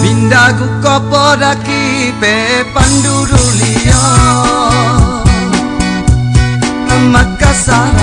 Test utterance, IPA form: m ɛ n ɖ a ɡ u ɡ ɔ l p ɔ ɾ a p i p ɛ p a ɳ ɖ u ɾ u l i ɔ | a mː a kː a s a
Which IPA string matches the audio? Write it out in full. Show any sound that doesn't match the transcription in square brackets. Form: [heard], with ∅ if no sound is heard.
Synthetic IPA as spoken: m [i] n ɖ a ɡ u [k] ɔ [∅] p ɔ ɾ a [k] i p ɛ p a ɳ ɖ u ɾ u l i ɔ | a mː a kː a s a